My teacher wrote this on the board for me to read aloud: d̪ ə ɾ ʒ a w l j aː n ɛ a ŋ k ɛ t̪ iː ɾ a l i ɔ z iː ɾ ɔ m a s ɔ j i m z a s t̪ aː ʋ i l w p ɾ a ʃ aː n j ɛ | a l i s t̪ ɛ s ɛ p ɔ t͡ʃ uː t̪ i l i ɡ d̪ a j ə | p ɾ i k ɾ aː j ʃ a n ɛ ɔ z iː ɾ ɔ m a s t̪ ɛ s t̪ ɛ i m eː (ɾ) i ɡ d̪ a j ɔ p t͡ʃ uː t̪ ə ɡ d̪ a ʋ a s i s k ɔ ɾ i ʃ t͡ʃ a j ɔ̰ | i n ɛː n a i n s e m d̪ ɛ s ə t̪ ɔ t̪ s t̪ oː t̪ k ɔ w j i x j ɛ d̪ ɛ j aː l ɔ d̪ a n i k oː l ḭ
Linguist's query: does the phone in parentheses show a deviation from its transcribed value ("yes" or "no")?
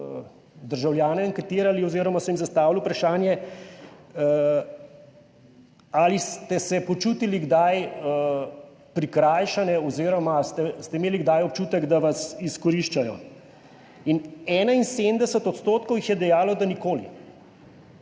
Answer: yes